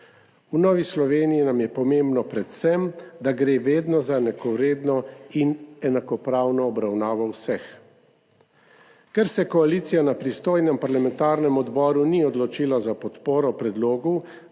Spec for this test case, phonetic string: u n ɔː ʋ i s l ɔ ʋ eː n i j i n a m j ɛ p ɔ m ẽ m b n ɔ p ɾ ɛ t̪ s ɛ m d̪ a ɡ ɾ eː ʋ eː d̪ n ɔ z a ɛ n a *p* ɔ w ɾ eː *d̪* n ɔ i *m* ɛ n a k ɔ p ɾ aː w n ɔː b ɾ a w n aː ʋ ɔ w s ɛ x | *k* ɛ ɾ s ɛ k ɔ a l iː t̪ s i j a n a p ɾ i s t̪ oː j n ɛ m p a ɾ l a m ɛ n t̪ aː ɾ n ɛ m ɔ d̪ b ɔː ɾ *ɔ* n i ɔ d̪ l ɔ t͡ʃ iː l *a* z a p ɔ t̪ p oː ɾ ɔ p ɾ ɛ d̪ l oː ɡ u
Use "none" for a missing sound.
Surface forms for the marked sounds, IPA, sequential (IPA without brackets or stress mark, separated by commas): k, d̪, n, k, u, a